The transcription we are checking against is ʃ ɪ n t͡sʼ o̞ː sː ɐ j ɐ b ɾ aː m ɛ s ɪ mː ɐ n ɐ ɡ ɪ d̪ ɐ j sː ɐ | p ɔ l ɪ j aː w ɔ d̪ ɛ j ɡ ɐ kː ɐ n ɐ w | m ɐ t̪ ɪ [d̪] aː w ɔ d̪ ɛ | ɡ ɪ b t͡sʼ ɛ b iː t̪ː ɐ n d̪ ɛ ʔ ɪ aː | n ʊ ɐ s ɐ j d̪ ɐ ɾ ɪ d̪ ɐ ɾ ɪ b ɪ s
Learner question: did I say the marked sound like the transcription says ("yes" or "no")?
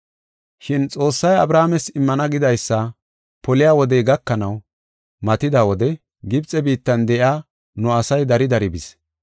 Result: yes